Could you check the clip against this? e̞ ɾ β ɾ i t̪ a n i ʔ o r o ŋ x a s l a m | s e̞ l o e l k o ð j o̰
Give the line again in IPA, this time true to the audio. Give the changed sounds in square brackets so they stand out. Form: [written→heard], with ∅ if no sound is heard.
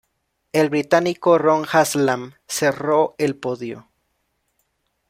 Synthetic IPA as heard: e̞ [ɾ→l] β ɾ i t̪ a n i [ʔ→k] o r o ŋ x a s l a m | s e̞ [l→r] o e l [k→p] o ð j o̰